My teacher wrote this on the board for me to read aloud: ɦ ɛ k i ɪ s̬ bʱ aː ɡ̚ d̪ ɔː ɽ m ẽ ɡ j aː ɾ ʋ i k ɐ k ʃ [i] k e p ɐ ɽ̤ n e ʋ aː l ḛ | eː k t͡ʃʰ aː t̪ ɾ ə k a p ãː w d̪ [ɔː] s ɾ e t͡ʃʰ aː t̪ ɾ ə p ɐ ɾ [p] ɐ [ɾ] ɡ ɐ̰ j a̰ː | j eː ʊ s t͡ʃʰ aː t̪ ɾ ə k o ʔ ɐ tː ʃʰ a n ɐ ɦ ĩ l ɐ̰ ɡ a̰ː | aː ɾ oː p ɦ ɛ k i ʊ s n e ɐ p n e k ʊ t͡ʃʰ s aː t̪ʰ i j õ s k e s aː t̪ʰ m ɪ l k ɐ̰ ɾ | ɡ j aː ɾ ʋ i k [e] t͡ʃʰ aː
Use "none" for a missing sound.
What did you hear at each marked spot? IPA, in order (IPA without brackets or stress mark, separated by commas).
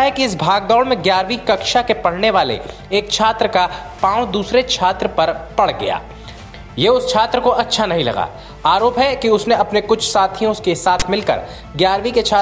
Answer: a, uː, p, ɽ, e